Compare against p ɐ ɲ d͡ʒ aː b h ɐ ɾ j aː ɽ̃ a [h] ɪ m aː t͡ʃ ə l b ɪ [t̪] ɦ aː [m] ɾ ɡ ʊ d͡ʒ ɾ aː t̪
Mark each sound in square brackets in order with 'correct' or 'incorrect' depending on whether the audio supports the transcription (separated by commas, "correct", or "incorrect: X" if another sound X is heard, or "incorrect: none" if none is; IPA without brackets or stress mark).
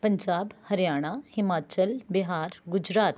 correct, incorrect: none, incorrect: none